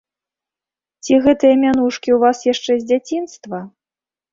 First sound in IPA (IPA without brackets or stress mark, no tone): t͡sʲ